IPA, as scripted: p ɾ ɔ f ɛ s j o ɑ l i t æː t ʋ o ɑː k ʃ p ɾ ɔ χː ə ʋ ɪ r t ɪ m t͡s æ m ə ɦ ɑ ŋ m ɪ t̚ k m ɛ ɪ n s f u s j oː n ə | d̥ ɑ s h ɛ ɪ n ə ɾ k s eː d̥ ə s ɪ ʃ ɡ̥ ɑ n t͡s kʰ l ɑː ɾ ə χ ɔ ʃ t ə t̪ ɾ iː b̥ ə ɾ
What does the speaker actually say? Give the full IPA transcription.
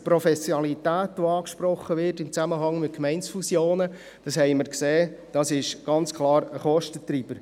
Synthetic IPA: p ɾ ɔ f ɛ s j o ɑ l i t æː t ʋ o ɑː k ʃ p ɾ ɔ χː ə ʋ ɪ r t ɪ m t͡s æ m ə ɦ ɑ ŋ m ɪ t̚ k m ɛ ɪ n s f u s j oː n ə | d̥ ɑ s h ɛ ɪ m ə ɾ k s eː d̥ ɑ s ɪ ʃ ɡ̥ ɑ n t͡s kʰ l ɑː ɾ ə χ ɔ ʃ t ə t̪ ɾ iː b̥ ə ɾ